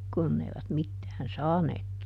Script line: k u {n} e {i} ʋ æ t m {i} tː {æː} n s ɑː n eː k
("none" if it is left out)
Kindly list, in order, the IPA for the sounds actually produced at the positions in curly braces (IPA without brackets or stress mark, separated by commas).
nː, i, i, æː